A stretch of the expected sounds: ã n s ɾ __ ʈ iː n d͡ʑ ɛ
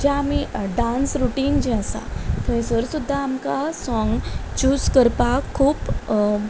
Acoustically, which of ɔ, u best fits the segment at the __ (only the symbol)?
u